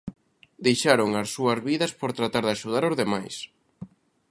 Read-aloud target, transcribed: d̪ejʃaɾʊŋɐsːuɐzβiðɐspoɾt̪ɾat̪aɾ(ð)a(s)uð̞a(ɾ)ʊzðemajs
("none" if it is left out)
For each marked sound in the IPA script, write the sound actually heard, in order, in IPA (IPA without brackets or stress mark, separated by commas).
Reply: ð, ʃ, ɾ